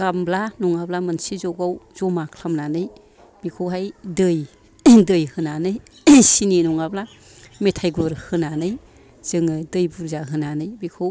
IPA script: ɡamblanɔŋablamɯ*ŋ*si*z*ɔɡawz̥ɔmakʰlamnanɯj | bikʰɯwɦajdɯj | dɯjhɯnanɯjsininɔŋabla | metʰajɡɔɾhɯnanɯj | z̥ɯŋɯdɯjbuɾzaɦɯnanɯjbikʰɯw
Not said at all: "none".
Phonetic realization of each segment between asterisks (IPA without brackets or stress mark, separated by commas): n, z